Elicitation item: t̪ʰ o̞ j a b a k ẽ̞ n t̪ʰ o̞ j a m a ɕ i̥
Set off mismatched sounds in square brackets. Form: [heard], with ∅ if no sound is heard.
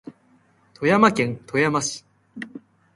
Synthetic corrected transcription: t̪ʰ o̞ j a [m] a k ẽ̞ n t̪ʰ o̞ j a m a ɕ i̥